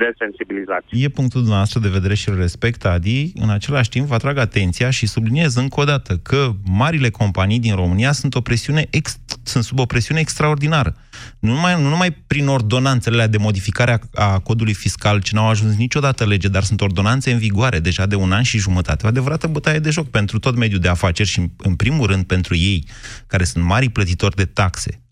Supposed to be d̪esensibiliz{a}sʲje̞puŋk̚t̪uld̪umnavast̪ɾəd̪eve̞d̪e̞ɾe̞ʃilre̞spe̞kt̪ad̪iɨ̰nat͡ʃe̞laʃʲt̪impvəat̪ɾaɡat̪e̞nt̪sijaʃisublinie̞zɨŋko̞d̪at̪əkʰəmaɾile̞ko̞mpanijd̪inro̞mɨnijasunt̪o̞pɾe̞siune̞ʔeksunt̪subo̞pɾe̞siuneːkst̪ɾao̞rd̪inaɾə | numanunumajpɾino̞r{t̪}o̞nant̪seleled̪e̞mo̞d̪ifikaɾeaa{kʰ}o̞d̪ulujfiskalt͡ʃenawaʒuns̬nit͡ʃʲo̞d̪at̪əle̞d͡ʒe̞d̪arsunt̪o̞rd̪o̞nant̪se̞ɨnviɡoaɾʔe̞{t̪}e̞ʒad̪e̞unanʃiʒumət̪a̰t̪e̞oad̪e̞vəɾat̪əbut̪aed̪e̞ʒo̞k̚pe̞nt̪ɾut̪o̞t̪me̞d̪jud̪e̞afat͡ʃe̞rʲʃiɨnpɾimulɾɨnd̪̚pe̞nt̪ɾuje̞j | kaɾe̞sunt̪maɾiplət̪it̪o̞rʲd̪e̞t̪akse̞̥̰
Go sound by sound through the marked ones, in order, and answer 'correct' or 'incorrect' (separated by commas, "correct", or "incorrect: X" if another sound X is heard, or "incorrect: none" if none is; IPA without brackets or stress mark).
correct, incorrect: d̪, incorrect: k, incorrect: d̪